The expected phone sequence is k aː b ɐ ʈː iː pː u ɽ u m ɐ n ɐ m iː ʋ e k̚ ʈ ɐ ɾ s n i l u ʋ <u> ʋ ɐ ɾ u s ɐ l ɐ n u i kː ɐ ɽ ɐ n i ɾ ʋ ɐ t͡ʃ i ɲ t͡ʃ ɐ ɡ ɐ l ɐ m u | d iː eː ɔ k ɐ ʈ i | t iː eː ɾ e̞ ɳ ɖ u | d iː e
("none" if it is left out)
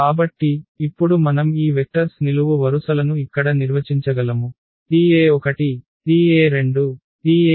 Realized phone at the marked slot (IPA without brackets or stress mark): u